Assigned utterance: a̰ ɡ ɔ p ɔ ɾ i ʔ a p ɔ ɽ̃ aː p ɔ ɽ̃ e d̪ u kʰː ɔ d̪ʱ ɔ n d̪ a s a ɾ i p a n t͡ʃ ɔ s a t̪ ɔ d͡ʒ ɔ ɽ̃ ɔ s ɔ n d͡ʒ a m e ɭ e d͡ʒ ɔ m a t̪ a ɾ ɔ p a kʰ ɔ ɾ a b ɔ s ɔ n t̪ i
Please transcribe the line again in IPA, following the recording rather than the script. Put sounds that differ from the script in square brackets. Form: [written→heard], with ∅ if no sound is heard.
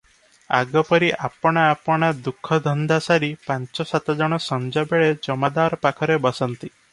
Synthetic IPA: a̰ ɡ ɔ p ɔ ɾ i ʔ a p ɔ ɽ̃ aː p ɔ ɽ̃ [e→a] d̪ u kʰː ɔ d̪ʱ ɔ n d̪ a s a ɾ i p a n t͡ʃ ɔ s a t̪ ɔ d͡ʒ ɔ ɽ̃ ɔ s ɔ n d͡ʒ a [m→b] e ɭ e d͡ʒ ɔ m a [t̪→d̪] a ɾ ɔ p a kʰ ɔ ɾ [a→e] b ɔ s ɔ n t̪ i